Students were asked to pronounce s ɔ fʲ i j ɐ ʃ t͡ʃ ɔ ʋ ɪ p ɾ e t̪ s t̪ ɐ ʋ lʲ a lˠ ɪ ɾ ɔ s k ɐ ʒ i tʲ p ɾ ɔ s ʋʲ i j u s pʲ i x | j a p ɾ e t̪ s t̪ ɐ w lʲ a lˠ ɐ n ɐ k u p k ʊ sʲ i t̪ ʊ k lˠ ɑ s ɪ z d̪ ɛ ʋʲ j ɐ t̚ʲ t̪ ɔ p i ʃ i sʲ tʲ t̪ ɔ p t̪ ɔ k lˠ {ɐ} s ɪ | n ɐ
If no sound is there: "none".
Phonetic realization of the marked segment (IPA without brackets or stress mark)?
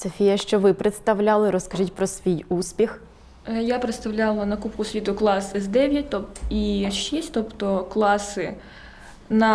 ɑ